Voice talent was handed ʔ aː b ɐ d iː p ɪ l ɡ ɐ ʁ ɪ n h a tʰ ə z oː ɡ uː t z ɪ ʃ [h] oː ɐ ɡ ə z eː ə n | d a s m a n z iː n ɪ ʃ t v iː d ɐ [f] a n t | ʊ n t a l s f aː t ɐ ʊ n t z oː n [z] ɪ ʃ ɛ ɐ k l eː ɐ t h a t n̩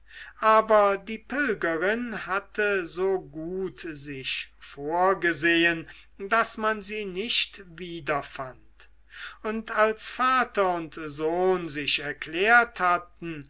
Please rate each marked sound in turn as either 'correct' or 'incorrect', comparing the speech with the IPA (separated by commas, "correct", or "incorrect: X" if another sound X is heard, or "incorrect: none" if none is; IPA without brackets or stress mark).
incorrect: f, correct, correct